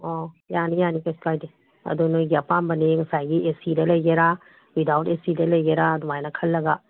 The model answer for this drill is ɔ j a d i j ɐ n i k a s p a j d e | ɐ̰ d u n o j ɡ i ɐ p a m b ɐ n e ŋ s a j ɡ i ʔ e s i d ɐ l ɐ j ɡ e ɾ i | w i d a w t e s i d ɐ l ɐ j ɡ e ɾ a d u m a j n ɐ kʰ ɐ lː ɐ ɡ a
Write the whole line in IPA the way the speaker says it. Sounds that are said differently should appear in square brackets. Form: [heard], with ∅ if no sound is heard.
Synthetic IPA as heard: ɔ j a [n] i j [a] n i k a s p a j d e | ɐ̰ d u n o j ɡ i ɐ p a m b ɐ n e ŋ s a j ɡ i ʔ e s i d ɐ l ɐ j ɡ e ɾ [a] | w i d a w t e s i d ɐ l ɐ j ɡ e ɾ a d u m a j n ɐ kʰ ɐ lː ɐ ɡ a